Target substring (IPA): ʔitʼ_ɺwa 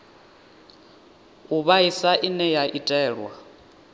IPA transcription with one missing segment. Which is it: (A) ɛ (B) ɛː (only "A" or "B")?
B